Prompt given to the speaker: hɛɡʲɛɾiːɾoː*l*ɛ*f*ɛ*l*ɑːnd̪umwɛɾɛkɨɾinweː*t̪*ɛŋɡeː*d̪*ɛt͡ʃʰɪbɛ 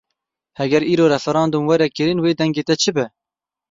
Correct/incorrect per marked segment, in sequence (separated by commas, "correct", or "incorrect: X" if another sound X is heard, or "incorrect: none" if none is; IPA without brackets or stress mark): incorrect: ɾ, correct, incorrect: ɾ, incorrect: d̪, incorrect: t̪